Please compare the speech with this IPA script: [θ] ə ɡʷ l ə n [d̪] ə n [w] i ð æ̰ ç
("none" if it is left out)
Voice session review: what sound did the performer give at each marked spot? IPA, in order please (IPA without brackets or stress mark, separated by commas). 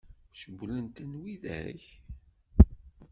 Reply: ʃ, t̪, w